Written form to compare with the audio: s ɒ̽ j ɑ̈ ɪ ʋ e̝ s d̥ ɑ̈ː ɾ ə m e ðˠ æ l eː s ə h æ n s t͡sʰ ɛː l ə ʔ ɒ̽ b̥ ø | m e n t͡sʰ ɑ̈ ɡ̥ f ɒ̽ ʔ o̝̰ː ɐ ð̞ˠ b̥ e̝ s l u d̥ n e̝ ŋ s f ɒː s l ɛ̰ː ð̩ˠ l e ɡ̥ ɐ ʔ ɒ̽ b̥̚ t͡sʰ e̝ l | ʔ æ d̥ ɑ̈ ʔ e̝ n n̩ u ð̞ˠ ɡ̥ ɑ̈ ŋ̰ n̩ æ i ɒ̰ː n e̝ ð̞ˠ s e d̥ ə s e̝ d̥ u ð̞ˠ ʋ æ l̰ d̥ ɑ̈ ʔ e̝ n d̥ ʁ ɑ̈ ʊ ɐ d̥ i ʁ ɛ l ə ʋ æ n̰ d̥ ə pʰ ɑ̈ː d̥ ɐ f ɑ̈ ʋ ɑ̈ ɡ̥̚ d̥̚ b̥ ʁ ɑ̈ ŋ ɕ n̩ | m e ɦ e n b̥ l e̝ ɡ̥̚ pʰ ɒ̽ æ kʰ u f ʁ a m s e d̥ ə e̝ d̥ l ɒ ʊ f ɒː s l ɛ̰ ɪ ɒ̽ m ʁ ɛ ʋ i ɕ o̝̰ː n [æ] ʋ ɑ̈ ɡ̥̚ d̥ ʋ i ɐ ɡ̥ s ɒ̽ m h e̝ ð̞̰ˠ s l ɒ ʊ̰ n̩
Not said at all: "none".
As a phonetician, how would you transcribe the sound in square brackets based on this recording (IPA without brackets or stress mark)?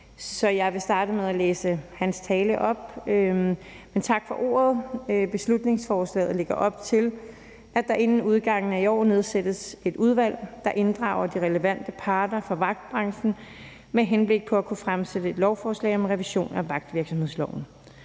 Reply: æ